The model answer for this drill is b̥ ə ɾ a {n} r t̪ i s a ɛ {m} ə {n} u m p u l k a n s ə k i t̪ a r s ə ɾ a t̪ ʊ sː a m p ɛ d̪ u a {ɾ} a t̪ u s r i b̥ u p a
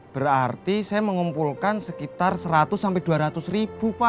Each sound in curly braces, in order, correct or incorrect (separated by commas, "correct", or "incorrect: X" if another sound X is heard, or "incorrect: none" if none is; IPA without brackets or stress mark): incorrect: none, correct, incorrect: ŋ, correct